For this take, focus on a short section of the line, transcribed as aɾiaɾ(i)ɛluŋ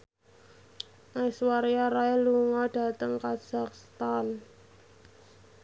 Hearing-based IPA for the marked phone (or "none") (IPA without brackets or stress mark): a